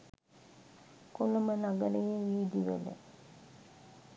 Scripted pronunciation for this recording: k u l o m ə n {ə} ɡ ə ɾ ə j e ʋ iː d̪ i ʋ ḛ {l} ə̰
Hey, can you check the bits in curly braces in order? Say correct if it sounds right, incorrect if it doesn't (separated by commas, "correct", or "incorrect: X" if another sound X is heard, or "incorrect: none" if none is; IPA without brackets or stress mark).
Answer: incorrect: a, correct